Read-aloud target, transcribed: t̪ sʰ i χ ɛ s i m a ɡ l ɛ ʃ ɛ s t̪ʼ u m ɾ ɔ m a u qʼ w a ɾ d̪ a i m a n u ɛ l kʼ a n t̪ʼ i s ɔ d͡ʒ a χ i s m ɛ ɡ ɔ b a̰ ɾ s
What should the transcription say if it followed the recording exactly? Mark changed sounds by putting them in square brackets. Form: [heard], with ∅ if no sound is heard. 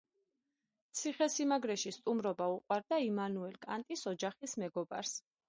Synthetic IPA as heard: t̪ sʰ i χ ɛ s i m a ɡ [ɾ] ɛ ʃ [i] s t̪ʼ u m ɾ ɔ [b] a u qʼ w a ɾ d̪ a i m a n u ɛ l kʼ a n t̪ʼ i s ɔ d͡ʒ a χ i s m ɛ ɡ ɔ b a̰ ɾ s

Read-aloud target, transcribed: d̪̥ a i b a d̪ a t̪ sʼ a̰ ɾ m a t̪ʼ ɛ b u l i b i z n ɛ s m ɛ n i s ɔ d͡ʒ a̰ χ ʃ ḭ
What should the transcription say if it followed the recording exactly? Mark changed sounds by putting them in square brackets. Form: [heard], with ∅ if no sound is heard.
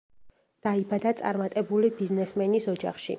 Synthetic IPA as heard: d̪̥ a i b a d̪ a t̪ sʼ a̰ ɾ m a t̪ʼ ɛ b u l i b i z n ɛ s m ɛ n i s ɔ d͡ʒ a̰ χ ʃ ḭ

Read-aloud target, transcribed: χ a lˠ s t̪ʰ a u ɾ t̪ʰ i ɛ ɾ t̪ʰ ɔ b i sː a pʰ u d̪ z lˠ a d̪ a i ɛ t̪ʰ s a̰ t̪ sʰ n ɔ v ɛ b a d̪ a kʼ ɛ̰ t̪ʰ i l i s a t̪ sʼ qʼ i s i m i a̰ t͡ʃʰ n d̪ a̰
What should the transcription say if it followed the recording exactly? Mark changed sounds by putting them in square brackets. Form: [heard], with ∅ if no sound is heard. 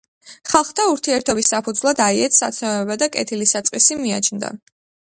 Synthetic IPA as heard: χ a lˠ [χ] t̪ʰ a u ɾ t̪ʰ i ɛ ɾ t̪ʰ ɔ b i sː a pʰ u d̪ z lˠ a d̪ a i ɛ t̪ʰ s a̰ t̪ sʰ n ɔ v ɛ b a d̪ a kʼ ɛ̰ t̪ʰ i l i s a t̪ sʼ qʼ i s i m i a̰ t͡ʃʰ n d̪ a̰

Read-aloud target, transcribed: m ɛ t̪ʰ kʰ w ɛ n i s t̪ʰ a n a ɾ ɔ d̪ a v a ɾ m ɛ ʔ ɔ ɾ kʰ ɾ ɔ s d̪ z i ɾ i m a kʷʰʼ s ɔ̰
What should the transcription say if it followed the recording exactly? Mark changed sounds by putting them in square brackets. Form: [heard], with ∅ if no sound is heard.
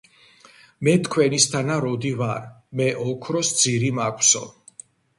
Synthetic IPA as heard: m ɛ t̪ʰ kʰ w ɛ n i s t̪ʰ a n a ɾ ɔ d̪ [i] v a ɾ m ɛ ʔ ɔ [∅] kʰ ɾ ɔ s d̪ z i ɾ i m a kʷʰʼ s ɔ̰

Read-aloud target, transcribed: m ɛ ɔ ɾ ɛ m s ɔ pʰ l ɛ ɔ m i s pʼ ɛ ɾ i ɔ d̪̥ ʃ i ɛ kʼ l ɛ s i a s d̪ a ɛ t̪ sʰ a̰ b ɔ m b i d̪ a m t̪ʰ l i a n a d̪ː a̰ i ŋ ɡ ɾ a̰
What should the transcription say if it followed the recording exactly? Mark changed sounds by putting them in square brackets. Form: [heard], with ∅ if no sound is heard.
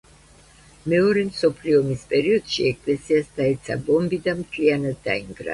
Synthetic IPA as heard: m ɛ ɔ ɾ ɛ m s ɔ pʰ l [i] ɔ m i s pʼ ɛ ɾ i ɔ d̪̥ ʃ i ɛ kʼ l ɛ s i a s d̪ a ɛ t̪ sʰ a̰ b ɔ m b i d̪ a m t̪ʰ l i a n a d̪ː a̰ i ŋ ɡ ɾ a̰

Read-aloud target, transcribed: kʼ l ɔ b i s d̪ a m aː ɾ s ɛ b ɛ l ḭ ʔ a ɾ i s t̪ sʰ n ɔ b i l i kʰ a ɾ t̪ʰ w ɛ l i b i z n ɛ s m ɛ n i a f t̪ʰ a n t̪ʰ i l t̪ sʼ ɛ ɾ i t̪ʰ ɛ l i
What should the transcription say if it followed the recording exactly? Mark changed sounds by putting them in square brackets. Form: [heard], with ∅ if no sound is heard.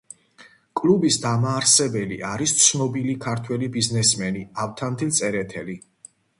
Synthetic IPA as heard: kʼ l [u] b i s d̪ a m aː ɾ s ɛ b ɛ l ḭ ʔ a ɾ i s t̪ sʰ n ɔ b i l i kʰ a ɾ t̪ʰ w ɛ l i b i z n ɛ s m ɛ n i a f t̪ʰ a n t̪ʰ i l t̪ sʼ ɛ ɾ [ɛ] t̪ʰ ɛ l i

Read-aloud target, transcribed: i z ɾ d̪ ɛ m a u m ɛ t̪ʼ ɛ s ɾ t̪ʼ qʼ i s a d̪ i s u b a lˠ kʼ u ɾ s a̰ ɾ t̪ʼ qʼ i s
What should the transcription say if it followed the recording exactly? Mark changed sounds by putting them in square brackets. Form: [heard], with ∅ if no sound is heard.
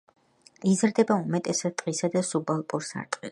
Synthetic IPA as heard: i z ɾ d̪ ɛ [b] a u m ɛ t̪ʼ ɛ s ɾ t̪ʼ qʼ i s a d̪ [a] s u b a lˠ [pʼ] u ɾ s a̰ ɾ t̪ʼ qʼ i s

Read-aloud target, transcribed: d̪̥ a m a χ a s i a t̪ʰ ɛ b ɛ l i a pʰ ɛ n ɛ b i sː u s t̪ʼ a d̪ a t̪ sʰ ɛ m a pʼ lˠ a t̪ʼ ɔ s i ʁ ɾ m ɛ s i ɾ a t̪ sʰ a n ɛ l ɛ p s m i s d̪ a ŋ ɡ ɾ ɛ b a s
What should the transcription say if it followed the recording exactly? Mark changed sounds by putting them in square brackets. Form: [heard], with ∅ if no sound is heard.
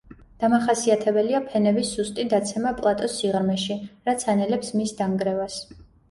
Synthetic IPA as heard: d̪̥ a m a χ a s i a t̪ʰ ɛ b ɛ l i a pʰ ɛ n ɛ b i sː u s t̪ʼ [i] d̪ a t̪ sʰ ɛ m a pʼ lˠ a t̪ʼ ɔ s i ʁ ɾ m ɛ [ʃ] i ɾ a t̪ sʰ a n ɛ l ɛ p s m i s d̪ a ŋ ɡ ɾ ɛ [v] a s

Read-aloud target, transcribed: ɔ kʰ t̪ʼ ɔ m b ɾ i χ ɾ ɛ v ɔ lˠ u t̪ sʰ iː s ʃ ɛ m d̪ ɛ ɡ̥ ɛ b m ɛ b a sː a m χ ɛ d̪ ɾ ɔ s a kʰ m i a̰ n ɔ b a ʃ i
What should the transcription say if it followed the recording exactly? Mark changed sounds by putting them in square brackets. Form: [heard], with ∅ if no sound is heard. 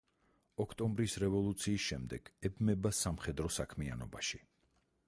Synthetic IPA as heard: ɔ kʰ t̪ʼ ɔ m b ɾ i [s] ɾ ɛ v ɔ lˠ u t̪ sʰ iː s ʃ ɛ m d̪ ɛ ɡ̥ ɛ b m ɛ b a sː a m χ ɛ d̪ ɾ ɔ s a kʰ m i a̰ n ɔ b a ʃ i

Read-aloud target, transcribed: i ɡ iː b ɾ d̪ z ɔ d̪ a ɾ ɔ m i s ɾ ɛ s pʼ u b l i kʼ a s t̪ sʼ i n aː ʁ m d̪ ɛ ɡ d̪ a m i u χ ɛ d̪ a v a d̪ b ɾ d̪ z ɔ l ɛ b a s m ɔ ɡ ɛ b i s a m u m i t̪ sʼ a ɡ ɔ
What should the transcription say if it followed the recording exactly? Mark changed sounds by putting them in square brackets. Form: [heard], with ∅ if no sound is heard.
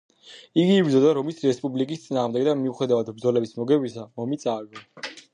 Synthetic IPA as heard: i ɡ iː b ɾ d̪ z ɔ d̪ a ɾ ɔ m i s ɾ ɛ s pʼ u b l i kʼ [i] s t̪ sʼ i n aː ʁ m d̪ ɛ ɡ d̪ a m i u χ ɛ d̪ a v a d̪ b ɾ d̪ z ɔ l ɛ b [i] s m ɔ ɡ ɛ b i s a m [ɔ] m i t̪ sʼ a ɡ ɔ

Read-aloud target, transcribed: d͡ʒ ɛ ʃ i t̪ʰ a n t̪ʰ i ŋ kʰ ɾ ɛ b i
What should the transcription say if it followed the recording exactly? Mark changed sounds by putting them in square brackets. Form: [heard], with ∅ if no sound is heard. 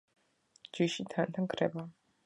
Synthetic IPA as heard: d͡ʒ [i] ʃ i t̪ʰ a n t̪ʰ [a] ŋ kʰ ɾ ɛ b [a]

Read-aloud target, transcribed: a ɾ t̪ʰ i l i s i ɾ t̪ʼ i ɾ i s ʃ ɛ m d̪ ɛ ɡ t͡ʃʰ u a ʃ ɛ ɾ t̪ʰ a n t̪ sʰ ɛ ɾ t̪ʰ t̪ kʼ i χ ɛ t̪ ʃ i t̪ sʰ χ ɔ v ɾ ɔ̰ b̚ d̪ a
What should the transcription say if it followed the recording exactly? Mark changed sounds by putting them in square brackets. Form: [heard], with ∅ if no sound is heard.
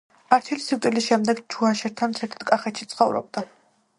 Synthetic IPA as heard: a ɾ t̪ʰ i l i s i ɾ t̪ʼ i [l] i s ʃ ɛ m d̪ ɛ ɡ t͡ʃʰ u a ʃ ɛ ɾ t̪ʰ a n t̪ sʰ ɛ ɾ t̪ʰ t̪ kʼ [a] χ ɛ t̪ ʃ i t̪ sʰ χ ɔ v ɾ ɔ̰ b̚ d̪ a

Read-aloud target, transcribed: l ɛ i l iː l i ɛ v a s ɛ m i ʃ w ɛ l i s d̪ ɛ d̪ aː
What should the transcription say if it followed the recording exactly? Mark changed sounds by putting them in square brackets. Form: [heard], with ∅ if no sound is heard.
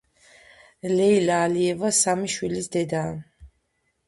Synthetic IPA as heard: l ɛ i l [aː] l i ɛ v a s [a] m i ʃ w [i] l i s d̪ ɛ d̪ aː

